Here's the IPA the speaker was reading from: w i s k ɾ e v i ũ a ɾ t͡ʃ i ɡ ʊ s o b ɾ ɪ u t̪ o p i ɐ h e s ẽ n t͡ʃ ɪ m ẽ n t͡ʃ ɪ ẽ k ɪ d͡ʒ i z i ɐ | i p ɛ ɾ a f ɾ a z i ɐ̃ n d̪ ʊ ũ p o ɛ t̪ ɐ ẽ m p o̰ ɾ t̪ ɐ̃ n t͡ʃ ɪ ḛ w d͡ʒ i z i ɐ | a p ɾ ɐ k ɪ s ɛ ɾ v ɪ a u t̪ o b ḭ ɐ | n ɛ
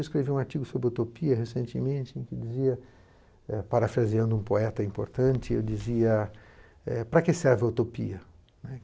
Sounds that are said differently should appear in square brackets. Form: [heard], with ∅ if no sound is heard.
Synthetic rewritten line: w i s k ɾ e v i ũ a ɾ t͡ʃ i ɡ ʊ s o b ɾ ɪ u t̪ o p i ɐ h e s ẽ n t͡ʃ ɪ m ẽ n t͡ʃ ɪ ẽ k ɪ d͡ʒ i z i ɐ | [ɛ] p [a] ɾ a f ɾ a z i ɐ̃ n d̪ ʊ ũ p o ɛ t̪ ɐ [ĩ] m p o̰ ɾ t̪ ɐ̃ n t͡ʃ ɪ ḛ w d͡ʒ i z i ɐ | [ɛ] p ɾ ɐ k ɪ s ɛ ɾ v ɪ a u t̪ o [p] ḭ ɐ | n ɛ

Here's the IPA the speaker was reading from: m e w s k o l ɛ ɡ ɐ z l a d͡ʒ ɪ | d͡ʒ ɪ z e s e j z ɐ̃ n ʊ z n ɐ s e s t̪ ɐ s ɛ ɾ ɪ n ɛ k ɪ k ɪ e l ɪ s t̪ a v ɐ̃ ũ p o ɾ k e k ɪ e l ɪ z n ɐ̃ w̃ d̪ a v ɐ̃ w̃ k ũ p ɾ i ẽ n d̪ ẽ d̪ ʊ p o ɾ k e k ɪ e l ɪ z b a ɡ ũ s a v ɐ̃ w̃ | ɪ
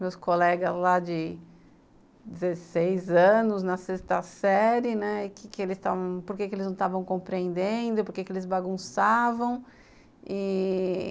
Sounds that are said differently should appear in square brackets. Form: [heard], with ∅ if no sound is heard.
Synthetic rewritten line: m e w s k o l ɛ ɡ ɐ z l a d͡ʒ ɪ | d͡ʒ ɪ z e s e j z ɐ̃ n ʊ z n ɐ s e s t̪ ɐ s ɛ ɾ ɪ n ɛ k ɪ k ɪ e l ɪ s t̪ a v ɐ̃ [w̃] p o ɾ k e k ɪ e l ɪ z n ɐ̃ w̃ [t̪] a v ɐ̃ w̃ k [õ] p ɾ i ẽ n d̪ ẽ d̪ ʊ p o ɾ k e k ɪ e l ɪ z b a ɡ ũ s a v ɐ̃ w̃ | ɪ

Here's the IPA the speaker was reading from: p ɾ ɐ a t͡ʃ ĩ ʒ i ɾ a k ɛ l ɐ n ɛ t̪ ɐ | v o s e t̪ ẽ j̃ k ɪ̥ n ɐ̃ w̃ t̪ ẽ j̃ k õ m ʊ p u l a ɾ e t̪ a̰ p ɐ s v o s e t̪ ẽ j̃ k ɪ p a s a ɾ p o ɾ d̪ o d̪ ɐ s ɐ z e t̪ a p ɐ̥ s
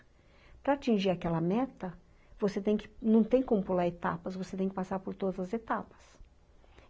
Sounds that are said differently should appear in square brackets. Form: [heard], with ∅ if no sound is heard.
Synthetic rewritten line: p ɾ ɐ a t͡ʃ ĩ ʒ i ɾ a k ɛ l ɐ [m] ɛ t̪ ɐ | v o s e t̪ ẽ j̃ k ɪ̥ n ɐ̃ w̃ t̪ ẽ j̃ k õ m ʊ p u l a ɾ e t̪ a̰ p ɐ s v o s e t̪ ẽ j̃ k ɪ p a s a ɾ p o ɾ [t̪] o d̪ ɐ [z] ɐ z e t̪ a p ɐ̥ s

